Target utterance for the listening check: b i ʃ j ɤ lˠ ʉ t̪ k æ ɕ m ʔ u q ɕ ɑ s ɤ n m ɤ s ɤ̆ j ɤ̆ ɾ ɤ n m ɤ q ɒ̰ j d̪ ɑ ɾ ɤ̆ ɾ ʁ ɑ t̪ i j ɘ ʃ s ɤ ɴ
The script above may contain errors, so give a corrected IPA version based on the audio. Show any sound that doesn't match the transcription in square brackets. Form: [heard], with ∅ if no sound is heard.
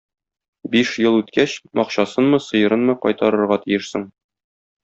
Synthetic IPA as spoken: b i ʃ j ɤ lˠ ʉ t̪ k æ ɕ m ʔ [ɒ] q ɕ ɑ s ɤ n m ɤ s ɤ̆ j ɤ̆ ɾ ɤ n m ɤ q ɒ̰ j [t̪] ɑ ɾ ɤ̆ ɾ ʁ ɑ t̪ i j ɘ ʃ s ɤ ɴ